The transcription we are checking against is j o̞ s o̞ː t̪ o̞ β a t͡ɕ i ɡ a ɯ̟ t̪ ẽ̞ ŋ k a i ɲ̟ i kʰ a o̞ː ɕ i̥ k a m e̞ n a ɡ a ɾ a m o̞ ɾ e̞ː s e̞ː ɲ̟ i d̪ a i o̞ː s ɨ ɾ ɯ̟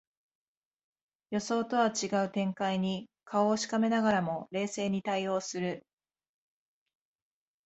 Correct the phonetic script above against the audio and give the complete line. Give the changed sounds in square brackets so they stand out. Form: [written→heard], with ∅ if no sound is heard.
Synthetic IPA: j o̞ s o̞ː t̪ o̞ β a t͡ɕ i ɡ a ɯ̟ t̪ ẽ̞ ŋ k a i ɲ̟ i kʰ a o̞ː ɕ i̥ k a m e̞ n a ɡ a ɾ a m o̞ ɾ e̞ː s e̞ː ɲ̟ i [d̪→t̪] a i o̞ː s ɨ ɾ ɯ̟